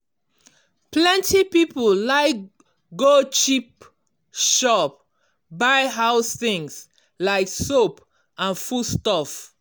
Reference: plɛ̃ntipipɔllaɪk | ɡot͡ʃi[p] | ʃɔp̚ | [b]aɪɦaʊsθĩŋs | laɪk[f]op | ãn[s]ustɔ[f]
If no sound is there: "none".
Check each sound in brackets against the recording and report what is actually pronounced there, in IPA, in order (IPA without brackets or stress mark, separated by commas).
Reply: p, b, s, f, f